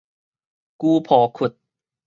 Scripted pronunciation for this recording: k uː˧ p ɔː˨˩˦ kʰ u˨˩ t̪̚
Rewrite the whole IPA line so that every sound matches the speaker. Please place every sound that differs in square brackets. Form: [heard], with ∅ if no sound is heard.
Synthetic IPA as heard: k uː˧ [pʰ] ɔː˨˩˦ kʰ u˨˩ t̪̚